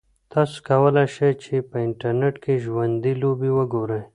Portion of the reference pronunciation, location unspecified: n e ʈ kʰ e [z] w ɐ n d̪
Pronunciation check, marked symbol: incorrect: ʒ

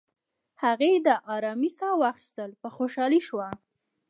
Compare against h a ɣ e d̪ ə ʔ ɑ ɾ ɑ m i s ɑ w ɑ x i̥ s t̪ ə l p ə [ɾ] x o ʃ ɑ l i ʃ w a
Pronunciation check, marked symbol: incorrect: none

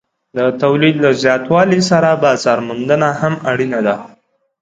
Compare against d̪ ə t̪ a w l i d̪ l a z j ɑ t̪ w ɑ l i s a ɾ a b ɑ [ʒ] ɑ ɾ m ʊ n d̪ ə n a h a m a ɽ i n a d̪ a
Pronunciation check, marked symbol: incorrect: z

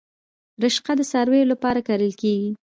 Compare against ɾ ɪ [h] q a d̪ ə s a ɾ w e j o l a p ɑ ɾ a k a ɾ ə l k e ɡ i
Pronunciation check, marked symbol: incorrect: ʃ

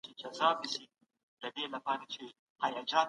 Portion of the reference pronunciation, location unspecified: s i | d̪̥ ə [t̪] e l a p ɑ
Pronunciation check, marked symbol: incorrect: d̪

